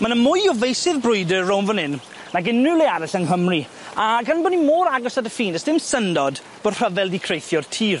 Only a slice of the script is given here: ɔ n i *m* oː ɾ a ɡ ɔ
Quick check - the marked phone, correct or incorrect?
correct